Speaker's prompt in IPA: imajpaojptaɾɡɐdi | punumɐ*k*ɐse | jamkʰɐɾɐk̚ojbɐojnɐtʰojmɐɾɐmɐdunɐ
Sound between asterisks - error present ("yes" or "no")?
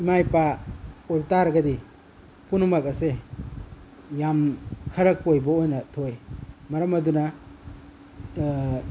no